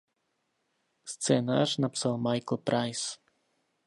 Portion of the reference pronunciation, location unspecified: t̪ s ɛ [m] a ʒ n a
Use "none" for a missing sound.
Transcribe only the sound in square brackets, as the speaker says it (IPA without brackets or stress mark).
n